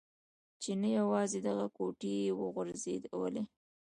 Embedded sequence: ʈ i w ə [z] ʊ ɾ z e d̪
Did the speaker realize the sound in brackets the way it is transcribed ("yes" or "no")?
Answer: no